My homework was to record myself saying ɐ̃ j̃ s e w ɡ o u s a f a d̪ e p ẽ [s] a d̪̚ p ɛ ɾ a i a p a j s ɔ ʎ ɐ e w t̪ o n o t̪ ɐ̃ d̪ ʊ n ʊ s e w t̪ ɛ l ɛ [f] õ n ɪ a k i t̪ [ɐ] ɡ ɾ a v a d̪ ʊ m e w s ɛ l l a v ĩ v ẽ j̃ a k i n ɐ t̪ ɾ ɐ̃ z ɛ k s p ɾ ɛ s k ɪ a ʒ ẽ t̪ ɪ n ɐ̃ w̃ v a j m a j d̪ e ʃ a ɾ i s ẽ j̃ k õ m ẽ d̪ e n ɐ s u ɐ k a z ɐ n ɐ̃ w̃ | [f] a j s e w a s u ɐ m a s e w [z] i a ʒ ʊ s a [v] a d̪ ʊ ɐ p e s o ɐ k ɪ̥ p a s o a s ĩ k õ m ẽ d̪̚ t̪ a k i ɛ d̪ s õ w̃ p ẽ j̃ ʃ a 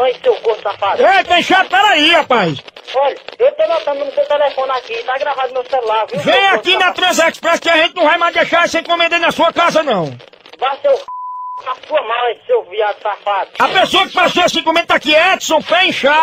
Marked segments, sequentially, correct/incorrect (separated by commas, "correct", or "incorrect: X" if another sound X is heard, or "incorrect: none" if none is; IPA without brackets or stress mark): incorrect: ʃ, correct, incorrect: a, incorrect: v, incorrect: v, incorrect: f